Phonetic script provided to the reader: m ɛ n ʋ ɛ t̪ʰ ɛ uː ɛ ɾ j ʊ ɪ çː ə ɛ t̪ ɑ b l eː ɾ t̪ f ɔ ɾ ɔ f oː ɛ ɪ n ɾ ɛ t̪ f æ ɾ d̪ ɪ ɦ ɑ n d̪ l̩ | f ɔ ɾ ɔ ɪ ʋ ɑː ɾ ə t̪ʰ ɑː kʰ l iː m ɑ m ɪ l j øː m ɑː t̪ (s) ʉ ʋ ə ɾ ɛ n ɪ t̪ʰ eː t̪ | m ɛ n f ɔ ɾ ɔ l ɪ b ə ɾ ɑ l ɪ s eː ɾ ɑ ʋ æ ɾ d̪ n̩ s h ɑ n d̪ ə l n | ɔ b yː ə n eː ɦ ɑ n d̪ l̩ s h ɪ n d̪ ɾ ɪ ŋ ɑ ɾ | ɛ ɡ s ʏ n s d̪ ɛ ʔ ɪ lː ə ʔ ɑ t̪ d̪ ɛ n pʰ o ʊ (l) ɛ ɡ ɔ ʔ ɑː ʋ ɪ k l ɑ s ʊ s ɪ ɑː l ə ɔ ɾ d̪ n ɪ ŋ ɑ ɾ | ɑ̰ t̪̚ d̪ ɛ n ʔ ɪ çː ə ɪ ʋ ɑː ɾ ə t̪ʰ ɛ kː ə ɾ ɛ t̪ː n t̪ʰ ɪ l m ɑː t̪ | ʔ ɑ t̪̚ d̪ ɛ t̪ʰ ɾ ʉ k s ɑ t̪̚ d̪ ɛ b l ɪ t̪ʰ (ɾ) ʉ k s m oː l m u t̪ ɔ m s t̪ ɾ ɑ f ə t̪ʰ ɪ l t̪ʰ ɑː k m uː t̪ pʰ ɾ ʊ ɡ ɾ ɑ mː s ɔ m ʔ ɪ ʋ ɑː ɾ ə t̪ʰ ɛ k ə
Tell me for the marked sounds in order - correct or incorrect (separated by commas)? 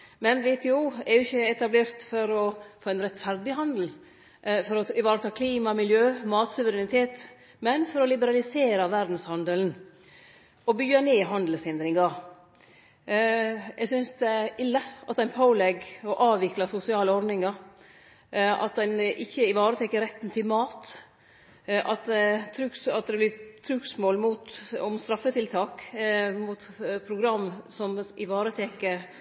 correct, correct, correct